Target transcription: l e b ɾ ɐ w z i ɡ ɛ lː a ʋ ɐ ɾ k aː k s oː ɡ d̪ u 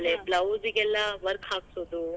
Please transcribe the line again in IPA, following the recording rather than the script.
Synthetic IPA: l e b l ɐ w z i ɡ ɛ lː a ʋ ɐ ɾ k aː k s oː d̪ u